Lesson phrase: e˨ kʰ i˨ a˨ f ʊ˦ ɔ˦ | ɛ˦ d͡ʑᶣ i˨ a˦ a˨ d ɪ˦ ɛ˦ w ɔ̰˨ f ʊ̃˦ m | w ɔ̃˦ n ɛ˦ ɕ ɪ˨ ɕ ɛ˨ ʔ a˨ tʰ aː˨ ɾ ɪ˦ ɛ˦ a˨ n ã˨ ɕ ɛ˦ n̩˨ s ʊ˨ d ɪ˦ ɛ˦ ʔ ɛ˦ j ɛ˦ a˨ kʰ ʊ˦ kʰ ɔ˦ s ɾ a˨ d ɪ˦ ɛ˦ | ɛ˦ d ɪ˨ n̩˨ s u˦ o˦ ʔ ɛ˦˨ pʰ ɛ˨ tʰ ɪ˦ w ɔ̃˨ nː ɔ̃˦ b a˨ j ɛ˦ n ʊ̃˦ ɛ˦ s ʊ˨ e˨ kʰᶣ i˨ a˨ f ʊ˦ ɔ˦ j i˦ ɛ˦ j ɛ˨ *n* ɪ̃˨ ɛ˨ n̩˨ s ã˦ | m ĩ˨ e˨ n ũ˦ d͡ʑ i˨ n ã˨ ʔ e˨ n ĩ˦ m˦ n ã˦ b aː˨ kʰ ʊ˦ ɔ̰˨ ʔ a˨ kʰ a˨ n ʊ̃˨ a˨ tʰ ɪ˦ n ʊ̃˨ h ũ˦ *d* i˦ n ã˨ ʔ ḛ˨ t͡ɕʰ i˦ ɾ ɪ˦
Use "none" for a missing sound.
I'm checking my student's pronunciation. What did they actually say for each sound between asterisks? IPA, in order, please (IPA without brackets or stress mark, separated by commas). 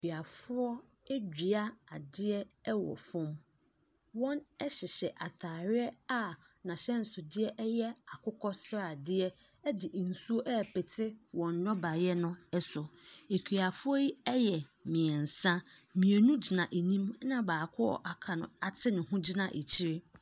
m, d͡ʑ